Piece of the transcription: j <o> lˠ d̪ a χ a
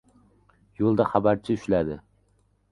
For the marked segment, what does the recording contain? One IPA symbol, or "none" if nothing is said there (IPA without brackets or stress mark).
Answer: o